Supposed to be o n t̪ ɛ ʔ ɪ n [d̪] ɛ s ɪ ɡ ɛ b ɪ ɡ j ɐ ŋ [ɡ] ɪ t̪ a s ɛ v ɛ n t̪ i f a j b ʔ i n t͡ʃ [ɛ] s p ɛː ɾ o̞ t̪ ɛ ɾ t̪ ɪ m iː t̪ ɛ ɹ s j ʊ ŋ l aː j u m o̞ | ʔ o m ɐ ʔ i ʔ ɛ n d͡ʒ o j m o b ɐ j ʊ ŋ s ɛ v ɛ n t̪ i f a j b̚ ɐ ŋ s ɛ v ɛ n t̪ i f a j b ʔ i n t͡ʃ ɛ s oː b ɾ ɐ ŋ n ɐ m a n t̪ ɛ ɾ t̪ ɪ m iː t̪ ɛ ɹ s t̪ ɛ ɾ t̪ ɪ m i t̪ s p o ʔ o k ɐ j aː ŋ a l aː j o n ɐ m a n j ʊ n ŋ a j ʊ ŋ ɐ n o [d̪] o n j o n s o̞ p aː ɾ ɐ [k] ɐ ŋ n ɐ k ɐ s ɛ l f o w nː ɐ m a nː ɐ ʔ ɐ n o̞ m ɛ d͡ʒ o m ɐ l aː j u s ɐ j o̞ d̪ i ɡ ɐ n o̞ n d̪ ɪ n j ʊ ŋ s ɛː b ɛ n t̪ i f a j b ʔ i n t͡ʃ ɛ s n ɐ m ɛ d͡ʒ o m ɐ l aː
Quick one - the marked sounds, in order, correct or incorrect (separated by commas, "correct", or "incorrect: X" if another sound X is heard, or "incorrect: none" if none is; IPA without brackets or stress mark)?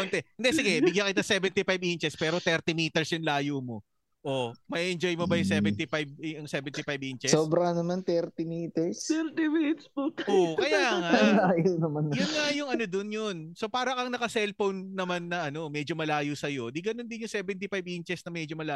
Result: correct, incorrect: k, correct, correct, correct